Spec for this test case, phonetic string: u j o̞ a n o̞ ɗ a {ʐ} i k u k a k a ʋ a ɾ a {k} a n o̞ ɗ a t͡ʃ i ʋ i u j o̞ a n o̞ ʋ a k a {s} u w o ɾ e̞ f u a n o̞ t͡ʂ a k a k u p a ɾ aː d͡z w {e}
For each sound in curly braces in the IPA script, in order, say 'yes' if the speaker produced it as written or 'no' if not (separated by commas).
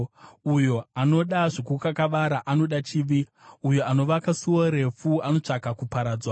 yes, no, yes, no